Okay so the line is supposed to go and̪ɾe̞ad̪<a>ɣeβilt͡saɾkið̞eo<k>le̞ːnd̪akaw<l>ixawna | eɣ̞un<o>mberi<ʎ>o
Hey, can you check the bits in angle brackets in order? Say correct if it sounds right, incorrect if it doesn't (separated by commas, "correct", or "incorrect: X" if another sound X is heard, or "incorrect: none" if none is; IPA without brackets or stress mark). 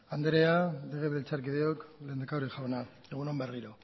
incorrect: e, correct, incorrect: ɾ, correct, incorrect: ɾ